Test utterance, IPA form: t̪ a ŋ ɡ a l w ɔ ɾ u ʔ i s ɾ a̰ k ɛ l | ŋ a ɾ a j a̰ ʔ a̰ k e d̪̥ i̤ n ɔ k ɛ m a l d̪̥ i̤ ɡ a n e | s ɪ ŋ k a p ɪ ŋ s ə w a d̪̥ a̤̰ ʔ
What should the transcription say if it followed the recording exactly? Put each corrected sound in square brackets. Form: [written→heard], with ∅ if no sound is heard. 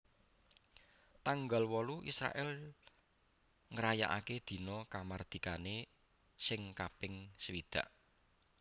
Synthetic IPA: t̪ a ŋ ɡ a l w ɔ [ɾ→l] u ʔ i s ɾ a̰ [k→ʔ] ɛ l | ŋ [a→ə] ɾ a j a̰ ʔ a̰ k e d̪̥ i̤ n ɔ k [ɛ→a] m a [l→r] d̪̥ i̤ [ɡ→k] a n e | s ɪ ŋ k a p ɪ ŋ s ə w [a→i] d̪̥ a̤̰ ʔ